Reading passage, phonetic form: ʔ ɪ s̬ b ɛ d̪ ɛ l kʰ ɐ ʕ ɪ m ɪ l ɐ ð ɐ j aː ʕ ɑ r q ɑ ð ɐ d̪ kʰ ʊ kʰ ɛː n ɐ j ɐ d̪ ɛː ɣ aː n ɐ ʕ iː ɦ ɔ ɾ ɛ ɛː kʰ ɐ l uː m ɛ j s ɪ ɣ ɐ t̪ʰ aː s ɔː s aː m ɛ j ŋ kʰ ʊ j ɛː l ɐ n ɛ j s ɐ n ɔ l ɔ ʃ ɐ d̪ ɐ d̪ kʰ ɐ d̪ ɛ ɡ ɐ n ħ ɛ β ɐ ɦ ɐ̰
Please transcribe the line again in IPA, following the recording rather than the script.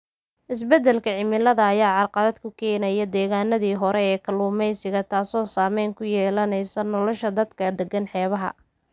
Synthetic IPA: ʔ ɪ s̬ b ɛ d̪ ɛ l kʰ ɐ ʕ ɪ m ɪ l ɐ ð ɐː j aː ʕ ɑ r q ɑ ð ɐ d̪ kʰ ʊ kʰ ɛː n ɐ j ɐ d̪ ɛː ɣ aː n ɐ ð iː ɦ ɔ ɾ ɛ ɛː kʰ ɐ l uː m ɛ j s ɪ ɣ ɐ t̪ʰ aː s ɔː s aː m ɛ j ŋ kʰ ʊ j ɛː l ɐ n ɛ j s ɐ n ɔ l ɔ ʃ ɐ d̪ ɐ d̪ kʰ ɐ d̪ ɛ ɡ ɐ n ħ ɛː β ɐ ɦ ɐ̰

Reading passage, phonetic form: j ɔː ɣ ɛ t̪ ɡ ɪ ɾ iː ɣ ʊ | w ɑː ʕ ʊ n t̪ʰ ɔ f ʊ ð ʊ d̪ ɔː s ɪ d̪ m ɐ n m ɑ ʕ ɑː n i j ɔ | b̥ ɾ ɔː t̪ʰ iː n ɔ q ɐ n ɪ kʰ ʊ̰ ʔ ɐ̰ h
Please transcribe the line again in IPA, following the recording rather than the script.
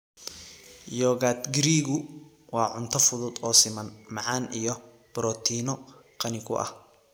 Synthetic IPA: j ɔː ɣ a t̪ ɡ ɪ ɾ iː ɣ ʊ | w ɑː ʕ ʊ n t̪ʰ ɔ f ʊ ð ʊ d̪ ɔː s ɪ m ɐ n m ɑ ʕ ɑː n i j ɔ | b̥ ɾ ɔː t̪ʰ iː n ɔ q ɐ n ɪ kʰ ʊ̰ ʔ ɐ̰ h

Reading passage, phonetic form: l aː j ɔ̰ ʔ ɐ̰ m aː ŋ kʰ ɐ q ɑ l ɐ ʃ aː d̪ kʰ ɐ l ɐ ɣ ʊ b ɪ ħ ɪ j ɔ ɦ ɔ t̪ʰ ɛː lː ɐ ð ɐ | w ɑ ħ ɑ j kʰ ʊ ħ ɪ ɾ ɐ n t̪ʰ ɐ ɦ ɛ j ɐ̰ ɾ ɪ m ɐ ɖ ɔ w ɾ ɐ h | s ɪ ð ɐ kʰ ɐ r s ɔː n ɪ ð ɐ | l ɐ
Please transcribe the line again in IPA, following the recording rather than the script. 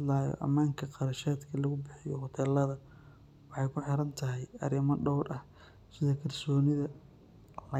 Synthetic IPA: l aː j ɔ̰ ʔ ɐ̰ m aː ŋ kʰ ɐ q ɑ ɾ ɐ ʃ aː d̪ kʰ ɐ l ɐ ɣ ʊ b ɪ ħ ɪ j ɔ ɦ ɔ t̪ʰ ɛː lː ɐ ð ɐ | w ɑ ħ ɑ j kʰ ʊ ħ ɪ ɾ ɐ n t̪ʰ ɐ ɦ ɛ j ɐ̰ ɾ ɪ m ɐ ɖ ɔ w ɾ ɐ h | s ɪ ð ɐ kʰ ɐ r s ɔː n ɪ ð ɐ | l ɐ

